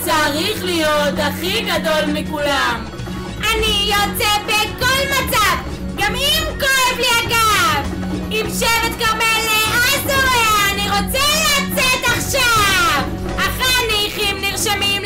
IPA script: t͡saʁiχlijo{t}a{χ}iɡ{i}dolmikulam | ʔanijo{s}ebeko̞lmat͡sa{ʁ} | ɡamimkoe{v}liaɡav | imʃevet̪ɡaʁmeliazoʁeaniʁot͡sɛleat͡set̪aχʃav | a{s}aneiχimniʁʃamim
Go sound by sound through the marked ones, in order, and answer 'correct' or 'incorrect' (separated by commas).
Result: correct, correct, incorrect, incorrect, incorrect, correct, incorrect